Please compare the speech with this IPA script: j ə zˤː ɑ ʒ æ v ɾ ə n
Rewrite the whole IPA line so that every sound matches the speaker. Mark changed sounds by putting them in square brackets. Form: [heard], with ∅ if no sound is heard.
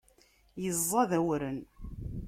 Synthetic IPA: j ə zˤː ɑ [ð] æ [w] ɾ ə n